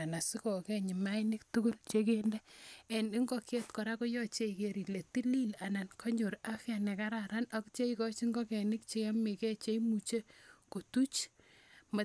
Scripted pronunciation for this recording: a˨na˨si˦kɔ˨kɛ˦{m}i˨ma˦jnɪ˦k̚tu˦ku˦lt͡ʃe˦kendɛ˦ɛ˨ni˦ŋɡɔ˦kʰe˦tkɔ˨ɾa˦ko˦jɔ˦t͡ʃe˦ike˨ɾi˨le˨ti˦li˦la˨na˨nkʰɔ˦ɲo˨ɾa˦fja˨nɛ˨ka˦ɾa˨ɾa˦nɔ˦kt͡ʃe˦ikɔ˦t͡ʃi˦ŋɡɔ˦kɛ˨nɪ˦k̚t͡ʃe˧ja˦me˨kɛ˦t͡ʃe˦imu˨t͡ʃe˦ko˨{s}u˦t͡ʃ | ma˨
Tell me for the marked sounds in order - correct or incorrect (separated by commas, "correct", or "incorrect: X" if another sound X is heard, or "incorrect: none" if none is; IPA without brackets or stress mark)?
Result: incorrect: ɲ, incorrect: t